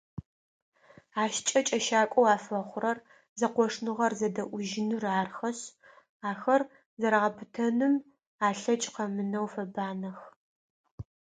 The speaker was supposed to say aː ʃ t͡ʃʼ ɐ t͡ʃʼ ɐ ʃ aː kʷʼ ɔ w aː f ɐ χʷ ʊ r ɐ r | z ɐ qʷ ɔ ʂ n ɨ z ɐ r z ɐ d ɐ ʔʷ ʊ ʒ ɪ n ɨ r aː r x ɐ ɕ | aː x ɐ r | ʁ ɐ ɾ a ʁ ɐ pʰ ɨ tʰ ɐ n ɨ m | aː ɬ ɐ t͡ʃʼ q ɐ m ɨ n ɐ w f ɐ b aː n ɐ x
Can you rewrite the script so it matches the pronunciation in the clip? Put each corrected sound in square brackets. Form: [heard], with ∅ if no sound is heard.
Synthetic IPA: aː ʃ t͡ʃʼ ɐ t͡ʃʼ ɐ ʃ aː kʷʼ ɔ w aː f ɐ χʷ ʊ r ɐ r | z ɐ qʷ ɔ ʂ n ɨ [ʁ] ɐ r z ɐ d ɐ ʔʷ ʊ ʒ ɪ n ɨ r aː r x ɐ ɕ | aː x ɐ r | [z] ɐ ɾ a ʁ ɐ pʰ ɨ tʰ ɐ n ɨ m | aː ɬ ɐ t͡ʃʼ q ɐ m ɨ n ɐ w f ɐ b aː n ɐ x